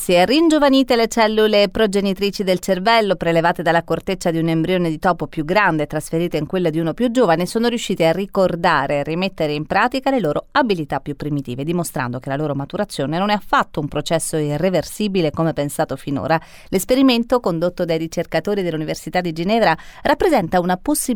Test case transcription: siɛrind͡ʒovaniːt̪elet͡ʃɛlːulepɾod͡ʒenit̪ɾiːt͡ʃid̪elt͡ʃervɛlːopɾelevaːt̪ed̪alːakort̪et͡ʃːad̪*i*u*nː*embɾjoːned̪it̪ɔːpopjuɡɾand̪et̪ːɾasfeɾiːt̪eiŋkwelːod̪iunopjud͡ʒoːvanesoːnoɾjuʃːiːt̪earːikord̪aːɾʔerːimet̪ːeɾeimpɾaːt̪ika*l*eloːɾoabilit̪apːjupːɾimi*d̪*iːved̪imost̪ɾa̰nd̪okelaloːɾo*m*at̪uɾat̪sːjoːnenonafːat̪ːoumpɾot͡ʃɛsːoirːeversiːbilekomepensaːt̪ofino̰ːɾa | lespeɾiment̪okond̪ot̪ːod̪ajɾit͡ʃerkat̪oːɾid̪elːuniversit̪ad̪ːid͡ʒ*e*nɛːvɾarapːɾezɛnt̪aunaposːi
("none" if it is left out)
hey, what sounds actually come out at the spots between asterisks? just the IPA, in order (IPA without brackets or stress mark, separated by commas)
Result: i, n, l, t̪, m, i